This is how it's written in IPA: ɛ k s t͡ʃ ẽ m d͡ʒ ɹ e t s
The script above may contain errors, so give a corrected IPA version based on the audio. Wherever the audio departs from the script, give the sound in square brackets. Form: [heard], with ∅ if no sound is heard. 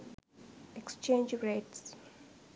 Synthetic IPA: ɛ k s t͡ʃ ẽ [n] d͡ʒ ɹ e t s